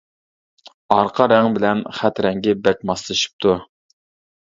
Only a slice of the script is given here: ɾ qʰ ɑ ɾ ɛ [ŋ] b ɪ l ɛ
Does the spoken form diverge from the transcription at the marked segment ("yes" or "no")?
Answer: no